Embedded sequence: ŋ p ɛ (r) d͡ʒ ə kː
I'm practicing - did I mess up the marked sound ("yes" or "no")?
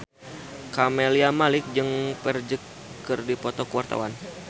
no